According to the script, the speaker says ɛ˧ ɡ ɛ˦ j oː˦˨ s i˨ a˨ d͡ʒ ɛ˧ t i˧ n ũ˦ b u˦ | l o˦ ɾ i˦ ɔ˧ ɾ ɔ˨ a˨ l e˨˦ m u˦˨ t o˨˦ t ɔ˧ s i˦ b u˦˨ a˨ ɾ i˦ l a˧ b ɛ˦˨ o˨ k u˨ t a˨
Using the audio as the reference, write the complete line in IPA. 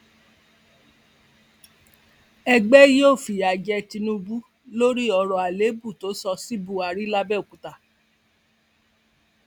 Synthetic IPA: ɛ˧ ɡ͡b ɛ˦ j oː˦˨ f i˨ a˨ d͡ʒ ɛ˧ t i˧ n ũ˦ b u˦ | l o˦ ɾ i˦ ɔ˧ ɾ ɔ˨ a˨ l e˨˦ b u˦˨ t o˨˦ s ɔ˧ s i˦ b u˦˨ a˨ ɾ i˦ l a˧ b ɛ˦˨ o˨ k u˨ t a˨